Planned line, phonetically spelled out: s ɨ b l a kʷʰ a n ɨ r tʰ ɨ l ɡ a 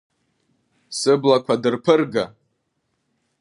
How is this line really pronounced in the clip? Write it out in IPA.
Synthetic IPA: s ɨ b l a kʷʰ a d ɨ r pʰ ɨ r ɡ a